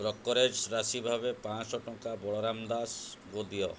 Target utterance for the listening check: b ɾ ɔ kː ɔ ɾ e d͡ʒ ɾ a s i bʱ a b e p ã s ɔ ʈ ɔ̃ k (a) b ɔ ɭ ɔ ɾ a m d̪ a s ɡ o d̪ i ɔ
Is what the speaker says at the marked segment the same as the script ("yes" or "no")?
yes